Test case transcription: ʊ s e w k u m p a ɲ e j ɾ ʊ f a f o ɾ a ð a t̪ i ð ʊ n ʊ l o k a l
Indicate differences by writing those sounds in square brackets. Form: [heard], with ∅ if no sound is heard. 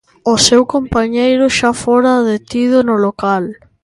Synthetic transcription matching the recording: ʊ s e w k [o] m p a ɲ e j ɾ ʊ [ʃ] a f o ɾ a ð [e] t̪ i ð ʊ n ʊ l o k a l